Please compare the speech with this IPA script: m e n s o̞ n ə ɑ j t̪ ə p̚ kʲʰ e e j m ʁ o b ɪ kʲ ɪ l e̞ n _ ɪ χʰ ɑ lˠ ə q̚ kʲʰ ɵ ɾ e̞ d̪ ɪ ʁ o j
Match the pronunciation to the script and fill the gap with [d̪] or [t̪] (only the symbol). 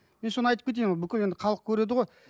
d̪